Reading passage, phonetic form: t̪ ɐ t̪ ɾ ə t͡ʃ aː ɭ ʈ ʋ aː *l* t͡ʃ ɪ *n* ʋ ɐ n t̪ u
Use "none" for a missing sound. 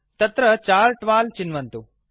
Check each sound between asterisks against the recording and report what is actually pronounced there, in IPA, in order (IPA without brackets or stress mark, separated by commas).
l, n